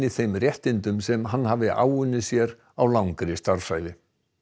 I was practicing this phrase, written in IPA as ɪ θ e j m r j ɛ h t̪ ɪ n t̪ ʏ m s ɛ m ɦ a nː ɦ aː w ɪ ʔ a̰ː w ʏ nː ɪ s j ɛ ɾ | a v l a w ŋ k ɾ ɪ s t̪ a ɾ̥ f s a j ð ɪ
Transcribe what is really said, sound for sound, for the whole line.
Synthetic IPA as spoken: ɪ θ e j m r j ɛ h t̪ ɪ n t̪ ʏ m s ɛ m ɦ a nː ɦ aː v ɪ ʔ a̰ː w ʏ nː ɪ s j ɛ ɾ | a w l a w ŋ k ɾ ɪ s t̪ a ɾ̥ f s a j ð ɪ